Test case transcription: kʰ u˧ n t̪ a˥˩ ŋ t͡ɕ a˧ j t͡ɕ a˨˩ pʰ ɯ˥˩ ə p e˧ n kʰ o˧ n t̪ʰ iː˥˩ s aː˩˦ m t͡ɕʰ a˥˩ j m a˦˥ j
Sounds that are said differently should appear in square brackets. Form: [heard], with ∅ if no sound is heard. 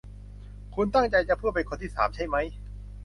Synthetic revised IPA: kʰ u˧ n t̪ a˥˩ ŋ t͡ɕ a˧ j t͡ɕ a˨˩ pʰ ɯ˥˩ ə p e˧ n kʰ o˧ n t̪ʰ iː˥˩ s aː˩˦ m t͡ɕʰ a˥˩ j m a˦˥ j